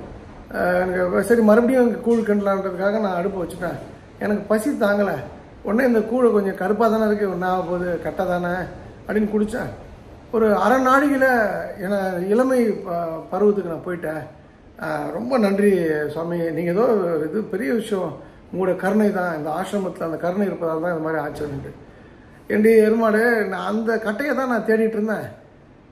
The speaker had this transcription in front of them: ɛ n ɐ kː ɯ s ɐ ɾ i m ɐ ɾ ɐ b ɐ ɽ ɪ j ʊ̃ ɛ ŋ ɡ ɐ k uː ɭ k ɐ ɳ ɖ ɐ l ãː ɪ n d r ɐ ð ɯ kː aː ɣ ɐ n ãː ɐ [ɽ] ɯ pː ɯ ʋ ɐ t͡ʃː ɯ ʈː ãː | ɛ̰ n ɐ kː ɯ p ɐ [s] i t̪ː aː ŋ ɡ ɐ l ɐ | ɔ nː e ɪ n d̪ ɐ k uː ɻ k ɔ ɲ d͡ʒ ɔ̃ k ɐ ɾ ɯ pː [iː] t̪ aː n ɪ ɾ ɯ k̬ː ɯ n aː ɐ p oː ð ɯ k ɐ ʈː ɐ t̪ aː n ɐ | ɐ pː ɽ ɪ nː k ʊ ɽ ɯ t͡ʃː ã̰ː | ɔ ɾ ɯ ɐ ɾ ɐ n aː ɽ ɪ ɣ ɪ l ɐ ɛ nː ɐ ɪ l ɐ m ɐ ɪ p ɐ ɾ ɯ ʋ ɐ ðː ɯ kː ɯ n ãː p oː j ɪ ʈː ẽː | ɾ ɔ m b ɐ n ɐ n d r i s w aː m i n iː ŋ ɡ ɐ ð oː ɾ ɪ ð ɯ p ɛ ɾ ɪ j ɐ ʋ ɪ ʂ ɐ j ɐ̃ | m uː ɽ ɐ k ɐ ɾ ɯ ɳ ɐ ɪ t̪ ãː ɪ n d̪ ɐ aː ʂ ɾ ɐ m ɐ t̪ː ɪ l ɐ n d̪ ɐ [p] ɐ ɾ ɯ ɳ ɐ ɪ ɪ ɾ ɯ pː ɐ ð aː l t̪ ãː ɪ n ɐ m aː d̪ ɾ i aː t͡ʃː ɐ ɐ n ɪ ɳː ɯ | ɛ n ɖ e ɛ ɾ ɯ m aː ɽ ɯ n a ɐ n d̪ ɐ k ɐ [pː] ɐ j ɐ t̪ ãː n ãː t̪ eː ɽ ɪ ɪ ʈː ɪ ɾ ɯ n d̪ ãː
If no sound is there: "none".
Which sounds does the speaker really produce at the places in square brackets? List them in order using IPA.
ɽ, s, aː, k, ʈː

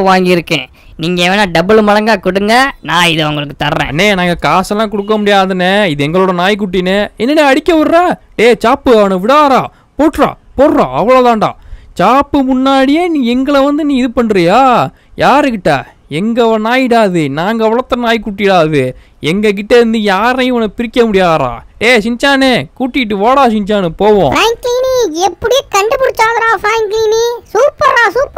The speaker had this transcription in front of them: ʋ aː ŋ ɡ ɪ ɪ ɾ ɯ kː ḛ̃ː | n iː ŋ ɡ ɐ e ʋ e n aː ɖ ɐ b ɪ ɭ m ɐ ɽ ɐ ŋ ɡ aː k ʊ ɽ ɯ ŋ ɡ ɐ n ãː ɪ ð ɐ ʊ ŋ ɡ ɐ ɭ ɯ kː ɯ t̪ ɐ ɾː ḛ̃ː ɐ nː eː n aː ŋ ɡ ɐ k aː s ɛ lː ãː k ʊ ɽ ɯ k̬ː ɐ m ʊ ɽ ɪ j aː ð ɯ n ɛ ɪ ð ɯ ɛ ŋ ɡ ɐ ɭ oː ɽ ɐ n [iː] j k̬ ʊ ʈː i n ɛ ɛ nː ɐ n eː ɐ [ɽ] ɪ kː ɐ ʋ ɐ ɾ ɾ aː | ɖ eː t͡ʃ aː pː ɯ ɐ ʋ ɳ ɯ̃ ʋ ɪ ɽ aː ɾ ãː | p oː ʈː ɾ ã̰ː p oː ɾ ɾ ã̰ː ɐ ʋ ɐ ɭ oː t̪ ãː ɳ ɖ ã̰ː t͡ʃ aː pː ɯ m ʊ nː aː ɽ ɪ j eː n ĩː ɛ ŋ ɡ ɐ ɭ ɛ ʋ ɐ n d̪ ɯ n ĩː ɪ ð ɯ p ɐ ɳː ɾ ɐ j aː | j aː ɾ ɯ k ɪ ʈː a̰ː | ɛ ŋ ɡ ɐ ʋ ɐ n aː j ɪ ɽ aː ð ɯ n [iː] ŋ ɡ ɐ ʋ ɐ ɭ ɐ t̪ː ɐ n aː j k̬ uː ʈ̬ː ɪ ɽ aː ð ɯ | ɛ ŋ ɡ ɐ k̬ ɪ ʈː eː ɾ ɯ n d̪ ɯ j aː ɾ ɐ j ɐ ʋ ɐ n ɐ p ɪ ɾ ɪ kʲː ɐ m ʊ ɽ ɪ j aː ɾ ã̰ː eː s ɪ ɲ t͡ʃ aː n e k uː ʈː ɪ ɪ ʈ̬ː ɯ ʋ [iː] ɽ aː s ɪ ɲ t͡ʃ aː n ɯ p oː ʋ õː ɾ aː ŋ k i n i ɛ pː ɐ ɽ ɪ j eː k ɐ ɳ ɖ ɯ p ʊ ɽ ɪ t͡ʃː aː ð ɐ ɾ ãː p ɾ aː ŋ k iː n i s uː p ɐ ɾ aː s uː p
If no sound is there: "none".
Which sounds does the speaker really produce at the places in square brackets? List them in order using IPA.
aː, ɽ, aː, aː

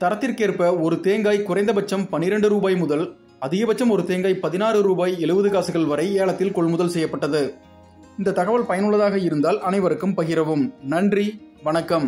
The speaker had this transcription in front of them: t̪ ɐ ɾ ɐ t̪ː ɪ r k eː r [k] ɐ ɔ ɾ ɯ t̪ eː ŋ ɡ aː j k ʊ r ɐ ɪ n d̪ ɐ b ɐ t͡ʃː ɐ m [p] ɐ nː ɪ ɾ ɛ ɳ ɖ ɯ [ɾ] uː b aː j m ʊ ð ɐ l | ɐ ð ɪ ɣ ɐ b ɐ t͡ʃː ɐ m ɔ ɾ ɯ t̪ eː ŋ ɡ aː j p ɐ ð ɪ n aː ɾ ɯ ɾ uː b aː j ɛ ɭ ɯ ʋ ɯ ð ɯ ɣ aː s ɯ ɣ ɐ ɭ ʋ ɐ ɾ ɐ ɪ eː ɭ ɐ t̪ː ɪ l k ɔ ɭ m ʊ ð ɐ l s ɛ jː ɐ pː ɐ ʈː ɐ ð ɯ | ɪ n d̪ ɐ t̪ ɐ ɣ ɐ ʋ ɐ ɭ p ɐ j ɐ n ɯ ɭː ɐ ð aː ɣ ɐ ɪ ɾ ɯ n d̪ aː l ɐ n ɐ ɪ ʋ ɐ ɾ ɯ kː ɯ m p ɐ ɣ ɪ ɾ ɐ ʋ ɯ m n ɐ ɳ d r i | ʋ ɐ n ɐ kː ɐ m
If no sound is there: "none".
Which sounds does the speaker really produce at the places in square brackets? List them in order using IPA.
p, p, ɾ

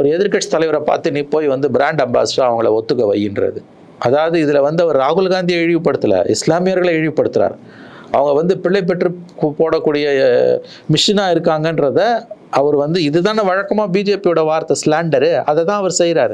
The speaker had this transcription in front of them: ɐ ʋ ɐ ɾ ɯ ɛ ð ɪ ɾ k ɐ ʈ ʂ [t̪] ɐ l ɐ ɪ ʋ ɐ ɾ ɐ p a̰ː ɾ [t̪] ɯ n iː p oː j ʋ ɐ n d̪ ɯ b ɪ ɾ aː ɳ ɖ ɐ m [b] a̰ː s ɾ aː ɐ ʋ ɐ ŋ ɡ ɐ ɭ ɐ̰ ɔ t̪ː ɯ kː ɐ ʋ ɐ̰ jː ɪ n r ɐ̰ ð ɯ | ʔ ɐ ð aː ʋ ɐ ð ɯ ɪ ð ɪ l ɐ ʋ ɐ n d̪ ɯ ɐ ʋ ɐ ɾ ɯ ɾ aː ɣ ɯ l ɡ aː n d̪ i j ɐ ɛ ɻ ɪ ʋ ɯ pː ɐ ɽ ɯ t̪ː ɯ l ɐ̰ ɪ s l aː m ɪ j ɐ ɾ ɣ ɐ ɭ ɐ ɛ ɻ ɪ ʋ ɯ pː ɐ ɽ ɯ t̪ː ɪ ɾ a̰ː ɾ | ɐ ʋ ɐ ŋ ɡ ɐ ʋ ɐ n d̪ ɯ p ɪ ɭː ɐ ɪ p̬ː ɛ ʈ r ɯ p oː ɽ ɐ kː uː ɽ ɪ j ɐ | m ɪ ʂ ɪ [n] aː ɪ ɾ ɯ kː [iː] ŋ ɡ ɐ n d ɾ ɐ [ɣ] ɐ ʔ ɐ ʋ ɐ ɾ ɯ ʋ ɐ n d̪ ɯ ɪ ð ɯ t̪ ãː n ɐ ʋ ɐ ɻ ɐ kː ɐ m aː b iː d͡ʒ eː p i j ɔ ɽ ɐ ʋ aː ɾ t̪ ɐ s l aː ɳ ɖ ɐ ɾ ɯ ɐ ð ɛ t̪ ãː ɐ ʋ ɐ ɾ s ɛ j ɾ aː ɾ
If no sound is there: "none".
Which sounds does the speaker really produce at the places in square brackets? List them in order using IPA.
t̪, t̪, b, n, aː, ð

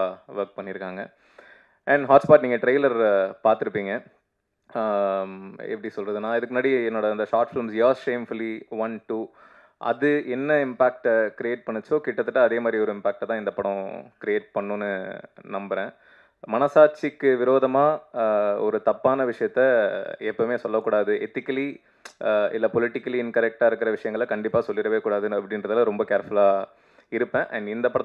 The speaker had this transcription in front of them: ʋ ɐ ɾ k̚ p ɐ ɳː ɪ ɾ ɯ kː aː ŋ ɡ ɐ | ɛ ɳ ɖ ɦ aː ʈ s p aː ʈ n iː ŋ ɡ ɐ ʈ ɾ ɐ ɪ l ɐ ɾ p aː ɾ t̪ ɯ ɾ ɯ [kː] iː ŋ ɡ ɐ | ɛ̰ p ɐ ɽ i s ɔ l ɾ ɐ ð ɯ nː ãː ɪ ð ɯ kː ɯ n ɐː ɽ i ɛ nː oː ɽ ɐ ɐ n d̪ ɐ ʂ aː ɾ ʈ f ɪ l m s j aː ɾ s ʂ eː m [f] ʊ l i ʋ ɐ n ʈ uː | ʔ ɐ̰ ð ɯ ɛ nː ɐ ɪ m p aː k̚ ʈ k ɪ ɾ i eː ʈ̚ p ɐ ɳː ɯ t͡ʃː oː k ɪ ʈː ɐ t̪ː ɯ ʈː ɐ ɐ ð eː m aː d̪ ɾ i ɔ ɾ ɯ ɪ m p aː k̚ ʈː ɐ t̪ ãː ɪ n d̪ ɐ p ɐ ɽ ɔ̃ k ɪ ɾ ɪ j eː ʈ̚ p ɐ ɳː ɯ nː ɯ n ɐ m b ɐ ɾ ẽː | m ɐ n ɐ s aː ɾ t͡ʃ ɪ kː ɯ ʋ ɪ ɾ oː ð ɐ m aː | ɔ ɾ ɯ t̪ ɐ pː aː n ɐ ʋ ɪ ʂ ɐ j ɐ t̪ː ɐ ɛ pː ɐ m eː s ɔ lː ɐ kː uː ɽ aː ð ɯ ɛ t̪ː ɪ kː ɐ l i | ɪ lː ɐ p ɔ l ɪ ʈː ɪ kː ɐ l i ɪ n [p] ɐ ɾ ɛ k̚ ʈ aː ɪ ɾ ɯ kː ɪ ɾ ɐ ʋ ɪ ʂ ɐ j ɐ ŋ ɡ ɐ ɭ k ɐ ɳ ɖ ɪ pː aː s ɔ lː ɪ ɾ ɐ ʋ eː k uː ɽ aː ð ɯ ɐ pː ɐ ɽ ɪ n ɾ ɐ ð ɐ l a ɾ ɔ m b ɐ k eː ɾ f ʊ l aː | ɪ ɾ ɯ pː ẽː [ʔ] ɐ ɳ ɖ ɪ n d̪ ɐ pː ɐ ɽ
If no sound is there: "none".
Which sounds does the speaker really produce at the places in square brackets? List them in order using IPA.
pː, f, k, ʔ

